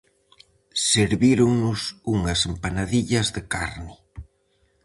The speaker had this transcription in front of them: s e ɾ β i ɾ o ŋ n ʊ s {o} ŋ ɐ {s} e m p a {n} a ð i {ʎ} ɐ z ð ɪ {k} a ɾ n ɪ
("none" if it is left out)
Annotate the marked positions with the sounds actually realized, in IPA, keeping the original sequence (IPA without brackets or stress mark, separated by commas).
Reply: u, s, n, ʎ, k